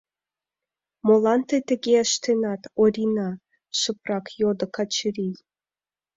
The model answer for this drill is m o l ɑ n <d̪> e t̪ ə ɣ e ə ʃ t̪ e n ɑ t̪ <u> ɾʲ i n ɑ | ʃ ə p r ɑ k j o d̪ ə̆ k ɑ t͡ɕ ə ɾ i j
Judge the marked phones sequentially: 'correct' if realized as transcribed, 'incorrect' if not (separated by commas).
incorrect, incorrect